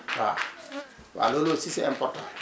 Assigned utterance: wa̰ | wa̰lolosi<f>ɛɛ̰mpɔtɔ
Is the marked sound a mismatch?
yes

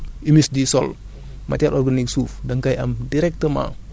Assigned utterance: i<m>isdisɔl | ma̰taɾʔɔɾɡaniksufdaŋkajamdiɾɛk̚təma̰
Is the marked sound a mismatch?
no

